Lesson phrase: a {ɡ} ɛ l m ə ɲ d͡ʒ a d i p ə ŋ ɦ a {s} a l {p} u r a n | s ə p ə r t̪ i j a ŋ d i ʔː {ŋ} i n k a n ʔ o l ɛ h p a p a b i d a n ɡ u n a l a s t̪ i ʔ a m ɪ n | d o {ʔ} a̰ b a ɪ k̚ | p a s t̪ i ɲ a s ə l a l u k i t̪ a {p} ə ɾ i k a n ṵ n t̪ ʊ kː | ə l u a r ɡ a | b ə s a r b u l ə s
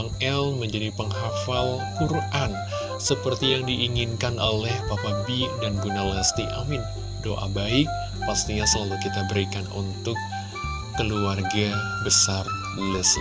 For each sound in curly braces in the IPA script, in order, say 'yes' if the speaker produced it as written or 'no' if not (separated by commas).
no, no, no, yes, yes, no